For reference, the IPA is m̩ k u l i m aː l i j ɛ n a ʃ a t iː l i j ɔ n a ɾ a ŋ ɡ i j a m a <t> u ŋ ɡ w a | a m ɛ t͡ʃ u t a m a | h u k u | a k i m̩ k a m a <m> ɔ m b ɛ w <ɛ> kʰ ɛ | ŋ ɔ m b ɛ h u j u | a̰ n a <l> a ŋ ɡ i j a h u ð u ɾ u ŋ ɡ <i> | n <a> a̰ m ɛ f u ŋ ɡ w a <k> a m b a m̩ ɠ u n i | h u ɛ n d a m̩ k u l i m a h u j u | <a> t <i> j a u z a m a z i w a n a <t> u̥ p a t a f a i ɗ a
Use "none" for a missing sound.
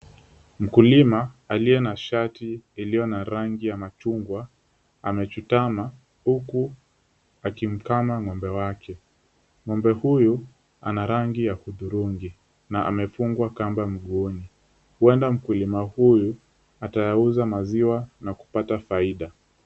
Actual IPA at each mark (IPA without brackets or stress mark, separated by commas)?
t͡ʃ, ŋ, a, ɾ, i, a, k, a, a, k